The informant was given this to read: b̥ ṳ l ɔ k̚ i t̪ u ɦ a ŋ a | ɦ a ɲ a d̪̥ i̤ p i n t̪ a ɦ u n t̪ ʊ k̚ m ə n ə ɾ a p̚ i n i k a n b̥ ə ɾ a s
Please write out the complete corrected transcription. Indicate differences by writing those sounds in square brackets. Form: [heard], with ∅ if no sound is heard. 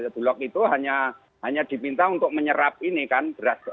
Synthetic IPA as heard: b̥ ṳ l ɔ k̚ i t̪ u ɦ a [ɲ] a | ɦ a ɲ a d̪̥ i̤ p i n t̪ a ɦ u n t̪ ʊ k̚ m ə [ɲ] ə ɾ a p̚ i n i k a n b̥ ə ɾ a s